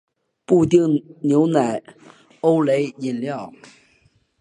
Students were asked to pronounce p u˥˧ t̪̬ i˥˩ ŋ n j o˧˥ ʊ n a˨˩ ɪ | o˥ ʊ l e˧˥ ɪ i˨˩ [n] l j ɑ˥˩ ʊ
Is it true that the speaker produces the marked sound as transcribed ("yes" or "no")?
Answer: yes